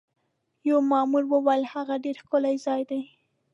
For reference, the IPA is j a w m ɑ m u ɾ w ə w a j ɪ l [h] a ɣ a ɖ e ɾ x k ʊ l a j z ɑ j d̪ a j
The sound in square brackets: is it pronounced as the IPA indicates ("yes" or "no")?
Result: yes